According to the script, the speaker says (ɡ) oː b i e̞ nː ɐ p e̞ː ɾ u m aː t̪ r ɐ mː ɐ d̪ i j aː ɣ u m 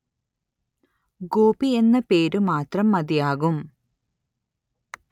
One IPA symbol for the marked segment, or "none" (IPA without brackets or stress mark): ɡ